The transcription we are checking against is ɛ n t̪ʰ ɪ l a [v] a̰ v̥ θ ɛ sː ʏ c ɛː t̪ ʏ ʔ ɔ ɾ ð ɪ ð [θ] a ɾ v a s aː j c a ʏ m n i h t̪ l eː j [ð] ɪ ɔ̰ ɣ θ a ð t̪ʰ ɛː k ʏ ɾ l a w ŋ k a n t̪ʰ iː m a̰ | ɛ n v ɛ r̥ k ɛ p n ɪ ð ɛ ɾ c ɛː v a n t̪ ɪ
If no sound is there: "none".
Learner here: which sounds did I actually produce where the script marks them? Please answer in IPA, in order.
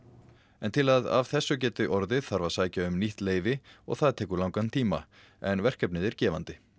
ð, θ, v

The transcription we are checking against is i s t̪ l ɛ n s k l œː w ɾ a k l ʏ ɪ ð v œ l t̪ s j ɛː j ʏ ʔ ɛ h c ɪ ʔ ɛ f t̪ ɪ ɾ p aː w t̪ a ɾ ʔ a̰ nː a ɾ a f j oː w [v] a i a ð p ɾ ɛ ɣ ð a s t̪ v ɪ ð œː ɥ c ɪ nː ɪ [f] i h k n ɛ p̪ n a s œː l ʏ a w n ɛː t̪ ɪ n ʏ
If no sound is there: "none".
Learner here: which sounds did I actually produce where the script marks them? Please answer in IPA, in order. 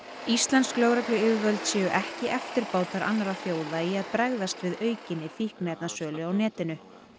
ð, f

